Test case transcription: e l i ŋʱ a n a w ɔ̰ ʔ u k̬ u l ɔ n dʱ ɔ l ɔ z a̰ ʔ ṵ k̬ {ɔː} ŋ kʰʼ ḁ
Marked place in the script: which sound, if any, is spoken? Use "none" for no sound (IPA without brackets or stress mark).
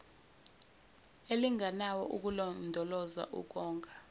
ɔː